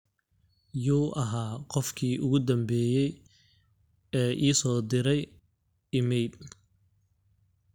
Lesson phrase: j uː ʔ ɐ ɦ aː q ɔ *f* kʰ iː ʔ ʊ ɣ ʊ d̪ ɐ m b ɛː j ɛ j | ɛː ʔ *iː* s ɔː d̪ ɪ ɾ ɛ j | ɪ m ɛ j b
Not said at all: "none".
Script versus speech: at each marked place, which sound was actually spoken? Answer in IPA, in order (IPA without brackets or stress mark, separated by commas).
f, iː